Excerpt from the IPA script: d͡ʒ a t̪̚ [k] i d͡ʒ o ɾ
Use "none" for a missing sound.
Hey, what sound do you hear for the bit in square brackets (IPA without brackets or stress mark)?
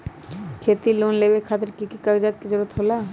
k